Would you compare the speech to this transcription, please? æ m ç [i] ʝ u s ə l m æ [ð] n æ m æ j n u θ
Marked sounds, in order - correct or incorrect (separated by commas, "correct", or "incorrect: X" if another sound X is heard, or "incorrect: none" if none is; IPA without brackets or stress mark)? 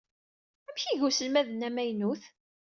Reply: correct, correct